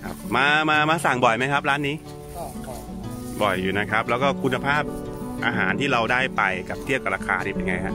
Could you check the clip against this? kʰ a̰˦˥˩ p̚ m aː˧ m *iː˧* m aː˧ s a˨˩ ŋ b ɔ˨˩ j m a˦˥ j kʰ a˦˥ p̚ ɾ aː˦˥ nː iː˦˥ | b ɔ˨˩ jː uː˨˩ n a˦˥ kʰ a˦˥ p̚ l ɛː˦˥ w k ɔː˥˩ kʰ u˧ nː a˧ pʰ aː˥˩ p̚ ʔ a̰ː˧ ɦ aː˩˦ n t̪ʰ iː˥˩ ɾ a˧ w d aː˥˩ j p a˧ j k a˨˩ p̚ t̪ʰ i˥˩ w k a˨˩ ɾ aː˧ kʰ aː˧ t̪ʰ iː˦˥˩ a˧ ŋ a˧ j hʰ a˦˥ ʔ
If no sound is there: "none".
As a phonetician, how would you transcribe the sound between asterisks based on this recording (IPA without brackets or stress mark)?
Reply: aː˧